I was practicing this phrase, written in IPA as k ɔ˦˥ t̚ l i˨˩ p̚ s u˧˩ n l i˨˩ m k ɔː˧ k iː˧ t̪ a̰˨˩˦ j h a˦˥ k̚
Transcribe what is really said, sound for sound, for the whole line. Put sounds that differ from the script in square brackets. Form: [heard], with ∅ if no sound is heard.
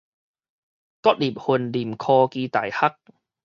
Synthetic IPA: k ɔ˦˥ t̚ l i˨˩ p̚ [h] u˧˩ n l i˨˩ m [kʰ] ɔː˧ k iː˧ t̪ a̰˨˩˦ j h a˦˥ k̚